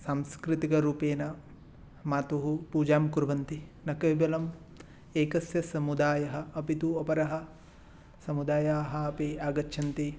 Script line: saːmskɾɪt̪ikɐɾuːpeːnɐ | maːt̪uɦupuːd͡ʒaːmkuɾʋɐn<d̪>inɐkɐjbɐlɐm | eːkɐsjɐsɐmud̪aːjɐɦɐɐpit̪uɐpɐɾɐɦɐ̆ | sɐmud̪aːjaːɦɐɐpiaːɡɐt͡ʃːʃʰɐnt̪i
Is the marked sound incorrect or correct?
incorrect